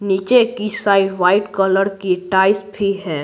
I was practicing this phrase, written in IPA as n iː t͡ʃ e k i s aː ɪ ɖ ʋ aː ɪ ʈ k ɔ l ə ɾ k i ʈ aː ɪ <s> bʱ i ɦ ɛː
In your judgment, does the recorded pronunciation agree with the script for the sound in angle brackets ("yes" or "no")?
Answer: yes